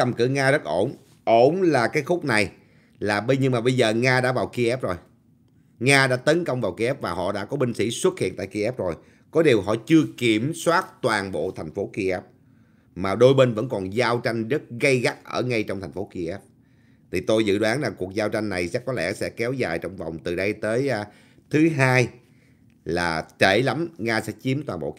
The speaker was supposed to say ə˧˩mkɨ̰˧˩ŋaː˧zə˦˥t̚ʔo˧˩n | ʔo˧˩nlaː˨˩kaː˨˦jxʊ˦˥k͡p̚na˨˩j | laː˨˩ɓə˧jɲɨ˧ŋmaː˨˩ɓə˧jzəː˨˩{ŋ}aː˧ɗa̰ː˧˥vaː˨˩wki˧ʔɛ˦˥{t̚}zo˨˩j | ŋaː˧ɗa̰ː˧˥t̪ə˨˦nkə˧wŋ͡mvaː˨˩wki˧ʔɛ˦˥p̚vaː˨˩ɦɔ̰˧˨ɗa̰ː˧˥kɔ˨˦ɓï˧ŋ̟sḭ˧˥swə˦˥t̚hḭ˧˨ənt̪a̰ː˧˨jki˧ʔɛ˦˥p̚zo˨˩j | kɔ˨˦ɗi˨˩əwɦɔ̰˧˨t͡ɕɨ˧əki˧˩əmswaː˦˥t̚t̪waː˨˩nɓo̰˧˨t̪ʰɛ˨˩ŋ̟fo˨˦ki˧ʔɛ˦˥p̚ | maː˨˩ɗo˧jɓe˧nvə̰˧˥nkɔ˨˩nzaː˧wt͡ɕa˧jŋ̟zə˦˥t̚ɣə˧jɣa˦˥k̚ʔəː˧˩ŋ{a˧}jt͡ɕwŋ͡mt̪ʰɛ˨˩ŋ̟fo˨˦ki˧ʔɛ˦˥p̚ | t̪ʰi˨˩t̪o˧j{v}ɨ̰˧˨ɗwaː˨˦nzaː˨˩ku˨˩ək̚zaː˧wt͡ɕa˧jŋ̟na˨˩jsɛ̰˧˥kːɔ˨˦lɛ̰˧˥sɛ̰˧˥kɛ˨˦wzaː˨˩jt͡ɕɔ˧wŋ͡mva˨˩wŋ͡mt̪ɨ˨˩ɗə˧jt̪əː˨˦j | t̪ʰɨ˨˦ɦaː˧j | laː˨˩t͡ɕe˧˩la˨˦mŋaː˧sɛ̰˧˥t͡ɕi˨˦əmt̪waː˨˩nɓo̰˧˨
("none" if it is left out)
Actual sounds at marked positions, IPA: ŋ, p̚, a˧, z

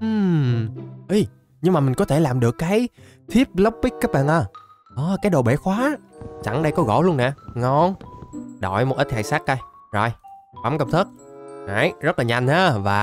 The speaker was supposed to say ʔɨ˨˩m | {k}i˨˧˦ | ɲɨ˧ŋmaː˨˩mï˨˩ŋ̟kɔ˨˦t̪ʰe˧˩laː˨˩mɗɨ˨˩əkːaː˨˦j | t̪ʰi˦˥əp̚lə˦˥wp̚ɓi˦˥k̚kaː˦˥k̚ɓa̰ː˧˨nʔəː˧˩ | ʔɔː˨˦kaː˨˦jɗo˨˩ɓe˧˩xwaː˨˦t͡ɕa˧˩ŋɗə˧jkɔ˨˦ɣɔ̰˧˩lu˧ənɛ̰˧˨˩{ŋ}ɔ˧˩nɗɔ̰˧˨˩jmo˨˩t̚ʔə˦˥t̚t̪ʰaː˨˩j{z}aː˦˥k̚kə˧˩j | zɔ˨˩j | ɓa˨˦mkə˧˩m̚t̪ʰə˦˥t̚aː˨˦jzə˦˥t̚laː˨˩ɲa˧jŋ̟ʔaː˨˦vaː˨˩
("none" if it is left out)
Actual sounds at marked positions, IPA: ʔ, ŋ, s

